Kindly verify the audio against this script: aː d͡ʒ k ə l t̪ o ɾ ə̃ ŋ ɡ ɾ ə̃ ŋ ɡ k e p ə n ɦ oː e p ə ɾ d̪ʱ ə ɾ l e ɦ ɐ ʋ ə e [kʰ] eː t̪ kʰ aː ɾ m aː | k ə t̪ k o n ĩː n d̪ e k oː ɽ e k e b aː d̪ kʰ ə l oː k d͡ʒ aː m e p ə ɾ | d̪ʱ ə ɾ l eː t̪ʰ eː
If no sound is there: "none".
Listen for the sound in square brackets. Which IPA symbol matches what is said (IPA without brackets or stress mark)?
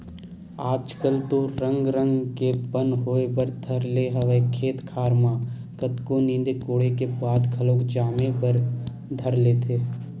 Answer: kʰ